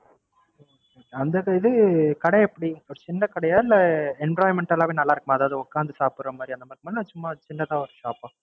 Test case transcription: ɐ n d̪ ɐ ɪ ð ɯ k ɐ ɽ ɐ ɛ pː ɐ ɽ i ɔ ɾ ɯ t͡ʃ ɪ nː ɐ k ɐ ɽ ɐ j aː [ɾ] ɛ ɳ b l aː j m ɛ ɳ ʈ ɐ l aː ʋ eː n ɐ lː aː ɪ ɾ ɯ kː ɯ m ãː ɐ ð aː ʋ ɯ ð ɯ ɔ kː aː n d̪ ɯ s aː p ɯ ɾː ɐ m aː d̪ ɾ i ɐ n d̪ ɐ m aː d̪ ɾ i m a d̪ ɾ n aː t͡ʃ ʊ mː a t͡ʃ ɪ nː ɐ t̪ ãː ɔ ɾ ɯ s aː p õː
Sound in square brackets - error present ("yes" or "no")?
yes